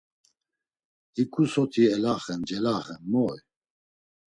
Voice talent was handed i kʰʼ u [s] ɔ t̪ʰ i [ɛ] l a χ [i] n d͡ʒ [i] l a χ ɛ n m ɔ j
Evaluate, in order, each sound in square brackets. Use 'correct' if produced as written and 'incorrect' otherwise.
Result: correct, correct, incorrect: ɛ, incorrect: ɛ

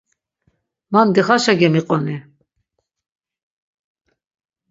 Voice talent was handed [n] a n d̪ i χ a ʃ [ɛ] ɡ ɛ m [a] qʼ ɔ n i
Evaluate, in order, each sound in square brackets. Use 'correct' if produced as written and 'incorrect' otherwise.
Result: incorrect: m, incorrect: a, incorrect: i

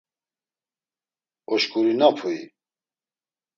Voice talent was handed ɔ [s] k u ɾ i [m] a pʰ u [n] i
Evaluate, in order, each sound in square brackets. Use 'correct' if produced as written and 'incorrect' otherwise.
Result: incorrect: ʃ, incorrect: n, incorrect: none

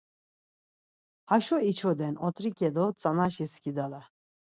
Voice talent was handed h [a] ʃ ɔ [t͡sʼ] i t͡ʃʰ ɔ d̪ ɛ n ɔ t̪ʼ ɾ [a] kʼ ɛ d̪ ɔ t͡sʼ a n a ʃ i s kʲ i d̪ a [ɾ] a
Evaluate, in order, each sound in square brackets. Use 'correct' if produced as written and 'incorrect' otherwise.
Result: correct, incorrect: none, incorrect: i, incorrect: l

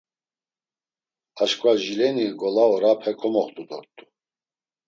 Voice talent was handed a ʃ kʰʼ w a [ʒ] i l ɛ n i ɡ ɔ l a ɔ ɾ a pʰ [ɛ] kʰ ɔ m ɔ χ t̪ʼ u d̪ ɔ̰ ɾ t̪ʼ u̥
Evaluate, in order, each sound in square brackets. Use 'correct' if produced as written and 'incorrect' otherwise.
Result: correct, correct

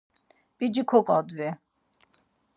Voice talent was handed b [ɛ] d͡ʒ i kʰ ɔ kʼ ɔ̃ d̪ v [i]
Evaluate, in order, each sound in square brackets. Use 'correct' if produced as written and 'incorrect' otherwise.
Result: incorrect: i, incorrect: ɛ

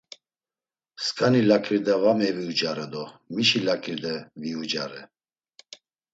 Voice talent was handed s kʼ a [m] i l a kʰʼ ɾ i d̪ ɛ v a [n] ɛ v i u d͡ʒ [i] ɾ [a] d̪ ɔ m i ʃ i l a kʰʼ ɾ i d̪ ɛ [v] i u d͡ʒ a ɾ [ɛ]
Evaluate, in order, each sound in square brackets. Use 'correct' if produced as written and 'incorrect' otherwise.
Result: incorrect: n, incorrect: m, incorrect: a, incorrect: ɛ, correct, correct

